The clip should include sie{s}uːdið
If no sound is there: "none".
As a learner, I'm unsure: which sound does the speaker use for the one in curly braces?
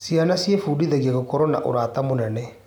f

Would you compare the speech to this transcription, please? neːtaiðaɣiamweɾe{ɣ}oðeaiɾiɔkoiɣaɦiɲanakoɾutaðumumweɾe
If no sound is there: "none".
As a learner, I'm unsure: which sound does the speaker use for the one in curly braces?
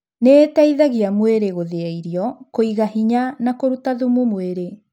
ɣ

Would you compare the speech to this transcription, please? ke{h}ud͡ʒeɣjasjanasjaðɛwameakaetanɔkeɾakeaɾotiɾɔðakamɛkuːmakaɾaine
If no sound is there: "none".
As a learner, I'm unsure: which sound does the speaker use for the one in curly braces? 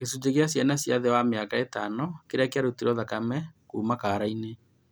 s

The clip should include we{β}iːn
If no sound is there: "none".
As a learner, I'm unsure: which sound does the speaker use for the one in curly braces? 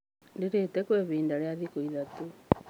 β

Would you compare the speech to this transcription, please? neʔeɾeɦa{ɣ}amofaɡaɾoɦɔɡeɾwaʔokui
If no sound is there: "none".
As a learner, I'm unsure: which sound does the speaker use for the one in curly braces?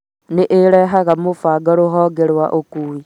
ɣ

